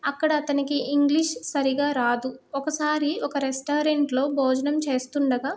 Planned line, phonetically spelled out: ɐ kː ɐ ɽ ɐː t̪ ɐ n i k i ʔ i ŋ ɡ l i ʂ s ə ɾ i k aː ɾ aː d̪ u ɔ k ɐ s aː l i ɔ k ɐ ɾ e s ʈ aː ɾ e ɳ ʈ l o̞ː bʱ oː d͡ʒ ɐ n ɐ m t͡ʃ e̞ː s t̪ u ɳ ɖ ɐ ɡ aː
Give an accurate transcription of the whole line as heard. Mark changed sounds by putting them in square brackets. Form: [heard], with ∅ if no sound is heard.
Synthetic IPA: ɐ kː ɐ ɽ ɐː t̪ ɐ n i k i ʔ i ŋ ɡ l i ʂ s [ɐ] ɾ i [ɡ] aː ɾ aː d̪ u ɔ k ɐ s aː [ɾ] i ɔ k ɐ ɾ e s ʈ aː ɾ e ɳ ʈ l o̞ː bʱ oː d͡ʒ ɐ n ɐ m t͡ʃ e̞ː s t̪ u ɳ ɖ ɐ ɡ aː